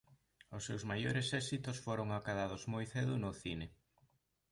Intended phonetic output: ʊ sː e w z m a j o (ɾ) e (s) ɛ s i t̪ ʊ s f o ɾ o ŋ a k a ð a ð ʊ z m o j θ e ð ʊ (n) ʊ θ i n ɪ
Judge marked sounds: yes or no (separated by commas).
yes, yes, yes